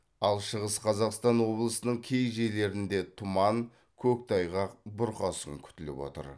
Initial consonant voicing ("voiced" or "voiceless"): voiced